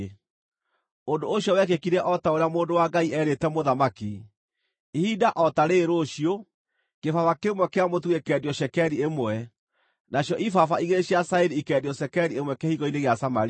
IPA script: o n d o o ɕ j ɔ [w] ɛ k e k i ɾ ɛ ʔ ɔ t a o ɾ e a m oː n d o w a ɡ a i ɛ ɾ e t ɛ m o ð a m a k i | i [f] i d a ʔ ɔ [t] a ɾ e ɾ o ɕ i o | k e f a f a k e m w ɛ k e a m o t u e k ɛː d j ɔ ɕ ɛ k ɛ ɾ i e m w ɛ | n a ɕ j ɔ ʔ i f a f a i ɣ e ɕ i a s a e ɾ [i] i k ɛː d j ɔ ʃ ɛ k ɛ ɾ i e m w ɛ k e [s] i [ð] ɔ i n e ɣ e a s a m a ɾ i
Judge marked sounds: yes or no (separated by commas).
yes, no, yes, yes, no, no